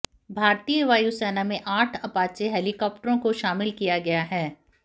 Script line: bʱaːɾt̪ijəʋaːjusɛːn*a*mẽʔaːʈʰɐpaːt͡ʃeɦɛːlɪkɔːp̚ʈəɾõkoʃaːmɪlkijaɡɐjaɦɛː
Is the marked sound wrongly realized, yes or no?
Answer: no